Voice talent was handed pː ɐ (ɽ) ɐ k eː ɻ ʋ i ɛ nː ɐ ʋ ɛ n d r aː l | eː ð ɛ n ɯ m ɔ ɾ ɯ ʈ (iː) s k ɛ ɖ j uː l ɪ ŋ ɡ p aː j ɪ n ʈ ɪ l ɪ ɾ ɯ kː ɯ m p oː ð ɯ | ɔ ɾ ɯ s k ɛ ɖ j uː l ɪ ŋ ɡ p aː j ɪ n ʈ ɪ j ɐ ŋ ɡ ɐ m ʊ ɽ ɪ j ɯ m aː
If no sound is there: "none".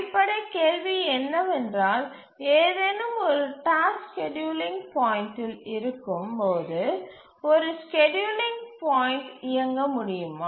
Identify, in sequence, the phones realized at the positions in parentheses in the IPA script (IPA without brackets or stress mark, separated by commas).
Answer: ɽ, aː